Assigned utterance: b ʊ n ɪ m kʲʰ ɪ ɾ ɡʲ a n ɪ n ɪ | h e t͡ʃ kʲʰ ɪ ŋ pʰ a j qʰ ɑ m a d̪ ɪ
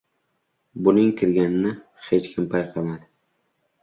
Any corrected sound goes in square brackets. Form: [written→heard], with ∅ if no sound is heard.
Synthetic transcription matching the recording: b ʊ n ɪ [m→ŋ] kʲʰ ɪ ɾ ɡʲ a n ɪ n ɪ | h e t͡ʃ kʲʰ ɪ [ŋ→m] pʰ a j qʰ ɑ m a d̪ ɪ